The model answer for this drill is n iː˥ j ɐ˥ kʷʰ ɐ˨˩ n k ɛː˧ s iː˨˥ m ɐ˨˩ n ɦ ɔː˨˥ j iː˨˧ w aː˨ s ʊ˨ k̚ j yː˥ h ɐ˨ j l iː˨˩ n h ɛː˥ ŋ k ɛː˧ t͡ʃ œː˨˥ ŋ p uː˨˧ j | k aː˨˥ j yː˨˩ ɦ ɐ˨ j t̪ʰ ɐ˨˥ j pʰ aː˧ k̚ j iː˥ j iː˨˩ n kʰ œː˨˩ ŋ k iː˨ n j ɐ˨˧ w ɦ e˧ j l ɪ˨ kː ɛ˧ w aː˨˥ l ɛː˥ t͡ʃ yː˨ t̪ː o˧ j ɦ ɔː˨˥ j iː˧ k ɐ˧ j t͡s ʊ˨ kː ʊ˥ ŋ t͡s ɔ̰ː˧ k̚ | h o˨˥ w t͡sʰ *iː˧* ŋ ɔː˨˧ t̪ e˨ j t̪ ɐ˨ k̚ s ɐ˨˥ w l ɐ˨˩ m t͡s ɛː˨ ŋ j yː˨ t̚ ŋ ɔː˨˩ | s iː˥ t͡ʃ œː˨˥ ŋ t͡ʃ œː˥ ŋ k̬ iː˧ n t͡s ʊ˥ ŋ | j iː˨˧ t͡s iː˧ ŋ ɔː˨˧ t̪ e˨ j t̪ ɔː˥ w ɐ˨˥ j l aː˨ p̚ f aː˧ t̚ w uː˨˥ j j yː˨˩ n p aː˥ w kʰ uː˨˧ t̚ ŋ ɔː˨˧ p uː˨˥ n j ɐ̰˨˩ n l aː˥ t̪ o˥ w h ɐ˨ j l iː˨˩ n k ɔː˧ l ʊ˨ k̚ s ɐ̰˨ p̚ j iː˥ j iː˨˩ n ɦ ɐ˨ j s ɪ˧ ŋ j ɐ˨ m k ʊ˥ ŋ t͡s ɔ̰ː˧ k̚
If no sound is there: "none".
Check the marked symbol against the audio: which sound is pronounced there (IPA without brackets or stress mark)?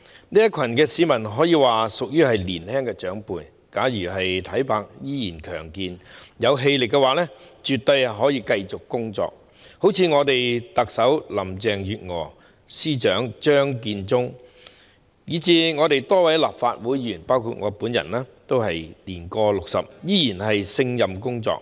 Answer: iː˧